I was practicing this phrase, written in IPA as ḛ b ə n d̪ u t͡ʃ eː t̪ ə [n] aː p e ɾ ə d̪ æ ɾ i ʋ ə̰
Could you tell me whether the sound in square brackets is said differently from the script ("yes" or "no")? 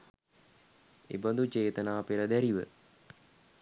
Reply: no